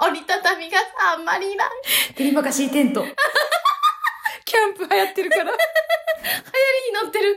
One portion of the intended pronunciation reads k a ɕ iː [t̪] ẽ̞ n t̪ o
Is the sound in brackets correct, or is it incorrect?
correct